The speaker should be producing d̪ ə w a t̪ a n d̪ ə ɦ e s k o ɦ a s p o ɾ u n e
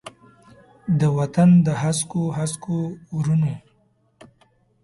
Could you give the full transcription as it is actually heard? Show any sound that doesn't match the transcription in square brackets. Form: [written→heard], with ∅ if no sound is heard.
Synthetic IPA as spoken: d̪ ə w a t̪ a n d̪ ə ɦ [e→a] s k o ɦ a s [p→k] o ɾ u n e